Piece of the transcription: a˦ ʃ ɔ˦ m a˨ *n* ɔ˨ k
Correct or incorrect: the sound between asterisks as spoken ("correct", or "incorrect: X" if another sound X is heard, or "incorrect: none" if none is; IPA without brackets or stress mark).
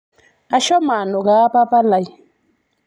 correct